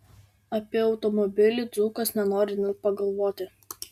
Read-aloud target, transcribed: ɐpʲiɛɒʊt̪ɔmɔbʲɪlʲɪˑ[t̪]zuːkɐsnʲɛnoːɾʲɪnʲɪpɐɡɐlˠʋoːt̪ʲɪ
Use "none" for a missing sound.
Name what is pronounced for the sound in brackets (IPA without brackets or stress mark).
d̪